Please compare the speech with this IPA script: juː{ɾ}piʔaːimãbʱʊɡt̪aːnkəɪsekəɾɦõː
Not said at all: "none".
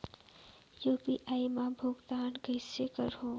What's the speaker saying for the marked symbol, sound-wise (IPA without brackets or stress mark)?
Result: none